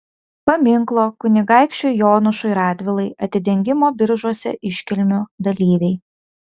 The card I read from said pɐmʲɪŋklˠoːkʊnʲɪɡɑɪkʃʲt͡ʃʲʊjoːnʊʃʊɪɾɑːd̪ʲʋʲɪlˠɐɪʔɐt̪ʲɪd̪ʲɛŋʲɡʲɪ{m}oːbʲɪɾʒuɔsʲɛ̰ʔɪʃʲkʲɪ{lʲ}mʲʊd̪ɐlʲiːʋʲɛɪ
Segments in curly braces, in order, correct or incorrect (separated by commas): correct, correct